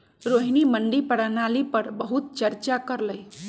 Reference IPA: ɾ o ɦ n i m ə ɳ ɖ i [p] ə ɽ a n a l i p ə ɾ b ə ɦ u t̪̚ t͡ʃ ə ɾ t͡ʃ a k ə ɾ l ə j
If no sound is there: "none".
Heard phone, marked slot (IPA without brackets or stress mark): p